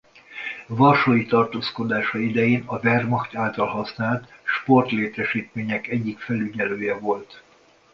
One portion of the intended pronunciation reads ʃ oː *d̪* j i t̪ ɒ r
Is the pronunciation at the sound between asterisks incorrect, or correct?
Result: incorrect: none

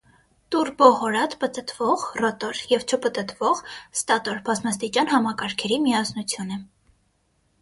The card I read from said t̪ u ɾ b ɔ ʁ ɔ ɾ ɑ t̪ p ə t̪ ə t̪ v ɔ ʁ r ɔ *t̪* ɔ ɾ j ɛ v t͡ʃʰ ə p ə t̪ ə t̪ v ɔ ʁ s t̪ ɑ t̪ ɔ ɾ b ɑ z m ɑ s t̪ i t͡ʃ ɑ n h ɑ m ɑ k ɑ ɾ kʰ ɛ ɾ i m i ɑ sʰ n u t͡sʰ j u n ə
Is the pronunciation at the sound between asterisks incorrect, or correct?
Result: correct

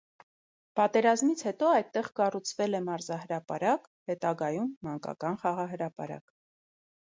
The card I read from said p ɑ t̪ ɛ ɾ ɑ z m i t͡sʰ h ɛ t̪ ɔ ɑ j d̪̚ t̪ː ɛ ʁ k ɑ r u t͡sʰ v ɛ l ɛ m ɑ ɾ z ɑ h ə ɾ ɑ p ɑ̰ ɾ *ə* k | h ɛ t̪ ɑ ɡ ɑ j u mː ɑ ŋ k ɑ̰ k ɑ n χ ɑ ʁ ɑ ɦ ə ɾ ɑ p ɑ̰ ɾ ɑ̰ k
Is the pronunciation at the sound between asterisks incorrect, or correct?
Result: incorrect: ɑ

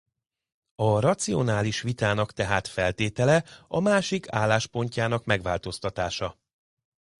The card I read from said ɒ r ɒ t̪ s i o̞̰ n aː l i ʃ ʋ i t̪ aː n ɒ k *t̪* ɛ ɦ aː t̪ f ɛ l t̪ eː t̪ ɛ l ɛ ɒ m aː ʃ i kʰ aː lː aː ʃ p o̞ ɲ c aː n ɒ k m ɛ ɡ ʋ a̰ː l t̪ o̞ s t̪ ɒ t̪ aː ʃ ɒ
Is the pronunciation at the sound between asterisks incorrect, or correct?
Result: correct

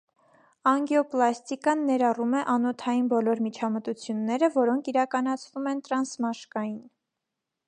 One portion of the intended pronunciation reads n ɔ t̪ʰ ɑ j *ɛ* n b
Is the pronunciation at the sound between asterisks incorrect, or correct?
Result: incorrect: i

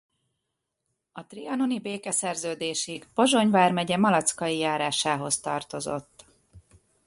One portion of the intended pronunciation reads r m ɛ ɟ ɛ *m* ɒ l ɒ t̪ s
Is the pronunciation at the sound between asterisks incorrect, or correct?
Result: correct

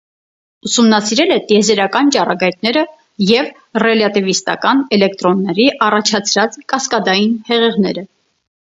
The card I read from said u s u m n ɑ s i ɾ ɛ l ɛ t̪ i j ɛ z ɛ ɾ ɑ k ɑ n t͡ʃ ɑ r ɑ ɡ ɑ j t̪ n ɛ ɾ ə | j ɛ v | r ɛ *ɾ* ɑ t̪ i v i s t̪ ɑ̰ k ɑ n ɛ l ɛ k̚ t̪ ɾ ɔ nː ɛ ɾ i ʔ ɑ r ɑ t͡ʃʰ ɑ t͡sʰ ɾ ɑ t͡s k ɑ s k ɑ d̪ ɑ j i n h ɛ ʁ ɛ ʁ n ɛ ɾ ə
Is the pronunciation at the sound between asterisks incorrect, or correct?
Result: incorrect: l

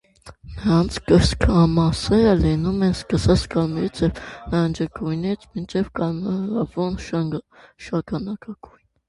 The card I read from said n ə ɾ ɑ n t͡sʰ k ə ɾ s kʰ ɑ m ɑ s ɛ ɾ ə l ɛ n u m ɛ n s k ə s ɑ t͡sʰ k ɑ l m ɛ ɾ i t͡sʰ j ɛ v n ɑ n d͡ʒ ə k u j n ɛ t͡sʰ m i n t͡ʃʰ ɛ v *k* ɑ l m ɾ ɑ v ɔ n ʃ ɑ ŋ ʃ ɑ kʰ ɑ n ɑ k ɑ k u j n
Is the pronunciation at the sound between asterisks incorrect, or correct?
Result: correct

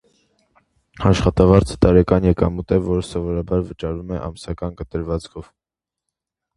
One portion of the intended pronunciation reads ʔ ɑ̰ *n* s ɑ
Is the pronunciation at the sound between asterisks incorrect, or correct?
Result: incorrect: m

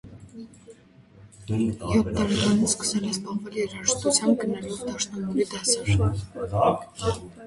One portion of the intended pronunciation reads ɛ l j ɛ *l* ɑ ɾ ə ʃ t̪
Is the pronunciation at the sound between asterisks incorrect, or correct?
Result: incorrect: ɾ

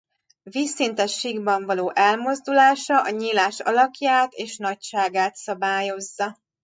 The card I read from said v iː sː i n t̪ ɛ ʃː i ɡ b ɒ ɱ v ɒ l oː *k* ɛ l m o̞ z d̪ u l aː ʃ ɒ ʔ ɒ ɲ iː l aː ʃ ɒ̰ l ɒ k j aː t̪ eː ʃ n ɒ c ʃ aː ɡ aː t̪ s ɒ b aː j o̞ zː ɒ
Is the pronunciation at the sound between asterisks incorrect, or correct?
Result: incorrect: ʔ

